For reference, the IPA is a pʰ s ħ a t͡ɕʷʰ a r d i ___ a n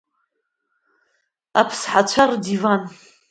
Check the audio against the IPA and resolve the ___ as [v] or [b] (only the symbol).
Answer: v